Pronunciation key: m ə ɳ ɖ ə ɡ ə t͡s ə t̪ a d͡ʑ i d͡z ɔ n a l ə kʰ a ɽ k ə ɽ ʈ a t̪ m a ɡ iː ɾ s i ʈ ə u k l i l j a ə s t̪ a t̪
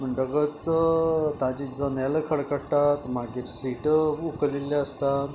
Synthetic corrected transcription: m ə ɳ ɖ ə ɡ ə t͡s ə t̪ a d͡ʑ i d͡z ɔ n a l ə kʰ ə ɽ k ə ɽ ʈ a t̪ m a ɡ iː ɾ s i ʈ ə u k l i l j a ə s t̪ a t̪

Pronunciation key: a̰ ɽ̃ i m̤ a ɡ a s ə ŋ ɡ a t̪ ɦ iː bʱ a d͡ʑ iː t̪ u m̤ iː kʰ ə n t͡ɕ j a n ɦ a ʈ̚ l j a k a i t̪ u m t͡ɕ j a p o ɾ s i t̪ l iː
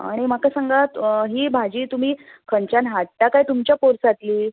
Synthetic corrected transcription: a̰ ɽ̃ i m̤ a k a s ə ŋ ɡ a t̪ ɦ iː bʱ a d͡ʑ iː t̪ u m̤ iː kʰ ə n t͡ɕ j a n ɦ a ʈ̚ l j a k a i t̪ u m t͡ɕ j a p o ɾ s a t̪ l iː

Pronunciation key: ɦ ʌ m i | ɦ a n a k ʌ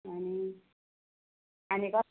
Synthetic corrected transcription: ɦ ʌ n i | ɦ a n i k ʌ

